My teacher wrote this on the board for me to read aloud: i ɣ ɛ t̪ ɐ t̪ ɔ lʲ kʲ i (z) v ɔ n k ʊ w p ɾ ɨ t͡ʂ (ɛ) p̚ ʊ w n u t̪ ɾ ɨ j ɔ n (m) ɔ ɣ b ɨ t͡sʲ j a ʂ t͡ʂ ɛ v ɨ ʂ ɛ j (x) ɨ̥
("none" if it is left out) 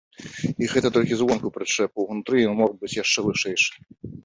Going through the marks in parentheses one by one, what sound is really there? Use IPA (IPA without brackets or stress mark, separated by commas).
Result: z, ɛ, m, ʂ